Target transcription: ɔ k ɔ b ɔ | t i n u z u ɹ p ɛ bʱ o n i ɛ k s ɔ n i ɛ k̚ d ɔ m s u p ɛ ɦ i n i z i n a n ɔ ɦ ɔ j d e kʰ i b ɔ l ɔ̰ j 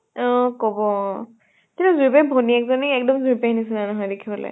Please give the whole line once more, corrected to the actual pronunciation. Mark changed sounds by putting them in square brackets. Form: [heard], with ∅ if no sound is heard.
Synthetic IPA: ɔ k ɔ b ɔ | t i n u z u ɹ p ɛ bʱ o n i ɛ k [z] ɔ n i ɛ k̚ d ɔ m [z] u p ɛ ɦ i n i [s] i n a n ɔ ɦ ɔ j d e kʰ i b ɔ l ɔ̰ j